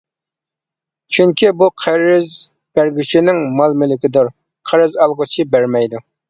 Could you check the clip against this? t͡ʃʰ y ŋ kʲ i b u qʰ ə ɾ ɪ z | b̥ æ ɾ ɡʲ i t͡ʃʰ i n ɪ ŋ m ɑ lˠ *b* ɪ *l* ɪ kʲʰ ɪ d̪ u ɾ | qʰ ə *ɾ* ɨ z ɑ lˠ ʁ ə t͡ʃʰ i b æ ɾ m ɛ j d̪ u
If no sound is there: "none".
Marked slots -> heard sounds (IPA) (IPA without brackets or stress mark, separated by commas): m, l, ɾ